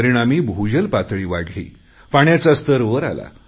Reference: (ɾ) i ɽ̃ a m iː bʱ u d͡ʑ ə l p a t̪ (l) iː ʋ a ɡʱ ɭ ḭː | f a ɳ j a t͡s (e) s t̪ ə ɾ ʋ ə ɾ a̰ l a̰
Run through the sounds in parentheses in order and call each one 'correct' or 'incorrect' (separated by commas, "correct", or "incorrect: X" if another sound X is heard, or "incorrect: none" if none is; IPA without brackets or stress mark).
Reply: correct, incorrect: ɭ, incorrect: a